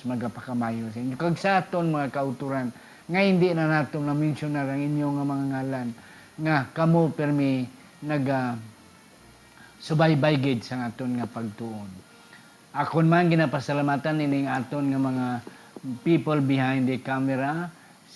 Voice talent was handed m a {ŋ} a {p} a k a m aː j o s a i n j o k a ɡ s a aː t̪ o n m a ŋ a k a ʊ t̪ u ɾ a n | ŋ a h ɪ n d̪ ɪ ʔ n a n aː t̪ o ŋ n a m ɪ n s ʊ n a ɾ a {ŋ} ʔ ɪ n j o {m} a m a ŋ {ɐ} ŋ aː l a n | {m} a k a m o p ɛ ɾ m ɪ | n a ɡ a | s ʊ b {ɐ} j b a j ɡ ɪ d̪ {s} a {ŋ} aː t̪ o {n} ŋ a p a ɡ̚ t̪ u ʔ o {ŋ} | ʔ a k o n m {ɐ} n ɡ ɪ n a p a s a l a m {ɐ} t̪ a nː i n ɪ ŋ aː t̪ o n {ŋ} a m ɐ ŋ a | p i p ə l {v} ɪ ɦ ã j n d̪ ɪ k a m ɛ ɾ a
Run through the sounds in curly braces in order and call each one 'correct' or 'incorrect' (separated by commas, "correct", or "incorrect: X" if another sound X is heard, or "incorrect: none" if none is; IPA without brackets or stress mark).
incorrect: ɡ, correct, correct, incorrect: ŋ, incorrect: a, incorrect: ŋ, incorrect: a, correct, correct, correct, incorrect: n, incorrect: a, incorrect: a, correct, incorrect: b